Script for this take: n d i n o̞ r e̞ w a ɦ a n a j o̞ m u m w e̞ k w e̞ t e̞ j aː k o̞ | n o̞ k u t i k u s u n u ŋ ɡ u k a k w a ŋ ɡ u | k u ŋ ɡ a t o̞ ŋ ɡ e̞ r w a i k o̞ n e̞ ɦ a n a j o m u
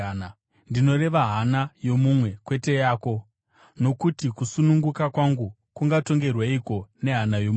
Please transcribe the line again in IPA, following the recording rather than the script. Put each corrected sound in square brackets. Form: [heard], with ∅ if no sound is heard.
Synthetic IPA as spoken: n d i n o̞ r e̞ [ʋ] a ɦ a n a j o̞ m u m w e̞ k w e̞ t e̞ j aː k o̞ | n o̞ k u t i k u s u n u ŋ ɡ u k a k w a ŋ ɡ u | k u ŋ ɡ a t o̞ ŋ ɡ e̞ r w a i k o̞ n e̞ ɦ a n a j o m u